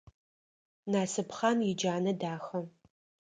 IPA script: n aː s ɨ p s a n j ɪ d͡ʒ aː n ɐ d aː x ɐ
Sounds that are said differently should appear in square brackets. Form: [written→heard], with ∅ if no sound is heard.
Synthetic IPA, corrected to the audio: n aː s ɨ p [s→χ] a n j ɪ d͡ʒ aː n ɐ d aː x ɐ